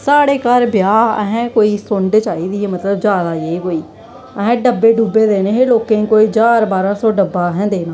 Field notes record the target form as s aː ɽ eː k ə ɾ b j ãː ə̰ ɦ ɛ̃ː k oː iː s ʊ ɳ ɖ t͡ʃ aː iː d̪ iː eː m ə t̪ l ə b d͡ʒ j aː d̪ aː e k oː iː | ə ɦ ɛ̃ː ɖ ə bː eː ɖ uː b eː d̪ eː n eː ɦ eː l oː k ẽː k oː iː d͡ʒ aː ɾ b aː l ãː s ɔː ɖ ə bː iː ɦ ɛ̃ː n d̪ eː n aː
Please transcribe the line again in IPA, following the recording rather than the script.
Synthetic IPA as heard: s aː ɽ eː k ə ɾ b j aː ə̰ ɦ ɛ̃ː k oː iː s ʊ ɳ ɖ t͡ʃ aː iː d̪ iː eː m ə t̪ l ə b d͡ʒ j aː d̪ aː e k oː iː | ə ɦ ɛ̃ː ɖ ə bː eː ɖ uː b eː d̪ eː n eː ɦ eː l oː k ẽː k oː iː d͡ʒ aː ɾ b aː ɾ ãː s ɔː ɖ ə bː aː ɦ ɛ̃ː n d̪ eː n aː